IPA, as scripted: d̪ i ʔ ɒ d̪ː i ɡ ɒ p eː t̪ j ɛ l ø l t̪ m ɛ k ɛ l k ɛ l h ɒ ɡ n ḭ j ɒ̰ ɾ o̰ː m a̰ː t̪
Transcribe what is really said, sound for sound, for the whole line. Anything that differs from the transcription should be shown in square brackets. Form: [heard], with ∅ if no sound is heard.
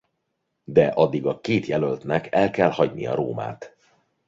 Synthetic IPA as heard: d̪ [ɛ] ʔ ɒ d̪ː i ɡ ɒ [k] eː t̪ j ɛ l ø l t̪ [n] ɛ k ɛ l k ɛ l h ɒ [ɟ] n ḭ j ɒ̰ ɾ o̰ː m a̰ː t̪